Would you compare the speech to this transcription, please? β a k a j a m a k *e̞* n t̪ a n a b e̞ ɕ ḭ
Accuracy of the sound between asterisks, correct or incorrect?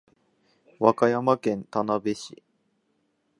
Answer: incorrect